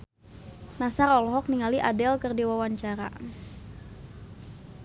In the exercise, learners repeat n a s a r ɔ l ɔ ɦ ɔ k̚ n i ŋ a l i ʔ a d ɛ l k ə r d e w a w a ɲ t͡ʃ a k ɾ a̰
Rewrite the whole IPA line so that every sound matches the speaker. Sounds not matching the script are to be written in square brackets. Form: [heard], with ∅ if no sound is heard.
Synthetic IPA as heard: n a s a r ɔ l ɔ ɦ ɔ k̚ n i ŋ a l i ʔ a d ɛ l k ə r d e w a w a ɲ t͡ʃ a [∅] ɾ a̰

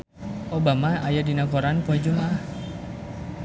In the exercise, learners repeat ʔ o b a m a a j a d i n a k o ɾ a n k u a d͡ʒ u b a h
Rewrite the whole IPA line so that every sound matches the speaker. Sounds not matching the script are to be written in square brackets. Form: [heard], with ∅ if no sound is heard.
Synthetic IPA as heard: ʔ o b a m a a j a d i n a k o ɾ a n [p] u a d͡ʒ u [m] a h

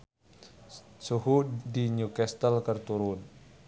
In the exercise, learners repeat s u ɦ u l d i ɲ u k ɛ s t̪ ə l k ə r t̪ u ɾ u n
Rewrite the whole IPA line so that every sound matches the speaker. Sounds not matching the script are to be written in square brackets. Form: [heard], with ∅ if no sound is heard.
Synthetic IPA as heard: s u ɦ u [∅] d i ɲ u k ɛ s t̪ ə l k ə r t̪ u ɾ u n

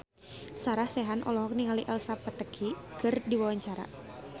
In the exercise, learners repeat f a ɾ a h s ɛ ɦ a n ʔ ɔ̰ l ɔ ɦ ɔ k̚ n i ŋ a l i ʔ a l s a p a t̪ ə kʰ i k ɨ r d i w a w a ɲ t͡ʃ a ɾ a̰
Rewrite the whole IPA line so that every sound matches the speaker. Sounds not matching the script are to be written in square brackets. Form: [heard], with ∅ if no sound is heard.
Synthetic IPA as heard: [s] a ɾ a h s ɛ ɦ a n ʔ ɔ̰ l ɔ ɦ ɔ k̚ n i ŋ a l i ʔ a l s a p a t̪ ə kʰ i k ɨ r d i w a w a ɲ t͡ʃ a ɾ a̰

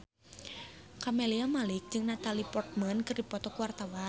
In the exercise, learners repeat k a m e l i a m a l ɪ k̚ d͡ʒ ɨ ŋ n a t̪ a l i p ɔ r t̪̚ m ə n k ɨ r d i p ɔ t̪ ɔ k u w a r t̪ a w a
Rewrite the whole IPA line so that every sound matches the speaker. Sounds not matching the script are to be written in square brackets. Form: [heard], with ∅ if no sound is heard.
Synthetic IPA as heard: k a m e l i a m a l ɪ k̚ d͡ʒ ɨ ŋ n a t̪ a l i p ɔ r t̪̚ m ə n k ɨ r d i p ɔ t̪ ɔ k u w a r t̪ a w a

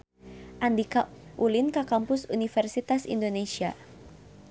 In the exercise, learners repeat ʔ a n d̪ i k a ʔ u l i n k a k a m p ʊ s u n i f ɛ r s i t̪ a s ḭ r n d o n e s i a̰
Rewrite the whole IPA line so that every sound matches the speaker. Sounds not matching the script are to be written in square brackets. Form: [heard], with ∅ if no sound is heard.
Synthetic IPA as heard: ʔ a n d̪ i k a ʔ u l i n k a k a m p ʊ s u n i f ɛ r s i t̪ a s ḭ [∅] n d o n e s i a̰

